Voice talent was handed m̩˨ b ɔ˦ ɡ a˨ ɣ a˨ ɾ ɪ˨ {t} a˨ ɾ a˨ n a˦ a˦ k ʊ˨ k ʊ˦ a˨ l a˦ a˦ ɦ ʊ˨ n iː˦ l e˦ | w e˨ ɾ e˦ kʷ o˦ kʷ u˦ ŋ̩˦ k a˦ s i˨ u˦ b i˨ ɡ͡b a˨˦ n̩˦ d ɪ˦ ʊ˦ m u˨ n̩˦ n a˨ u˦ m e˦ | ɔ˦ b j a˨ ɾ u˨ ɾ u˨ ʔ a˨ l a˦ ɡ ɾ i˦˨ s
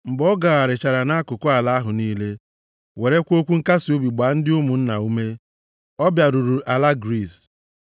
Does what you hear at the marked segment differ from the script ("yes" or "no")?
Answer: yes